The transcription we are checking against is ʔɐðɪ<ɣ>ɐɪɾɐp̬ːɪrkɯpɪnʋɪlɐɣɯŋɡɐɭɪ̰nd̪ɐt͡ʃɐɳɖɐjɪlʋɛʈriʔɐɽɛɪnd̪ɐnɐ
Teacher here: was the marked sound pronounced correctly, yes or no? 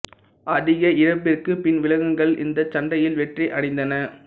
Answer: yes